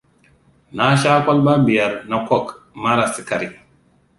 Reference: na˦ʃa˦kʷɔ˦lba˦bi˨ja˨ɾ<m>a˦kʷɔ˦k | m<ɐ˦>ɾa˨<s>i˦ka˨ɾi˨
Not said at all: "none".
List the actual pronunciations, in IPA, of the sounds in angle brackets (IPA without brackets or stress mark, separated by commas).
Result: n, a˦, s